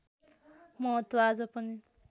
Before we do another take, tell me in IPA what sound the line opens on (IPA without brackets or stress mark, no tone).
m